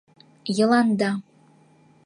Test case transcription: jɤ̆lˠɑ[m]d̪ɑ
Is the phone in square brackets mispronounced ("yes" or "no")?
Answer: yes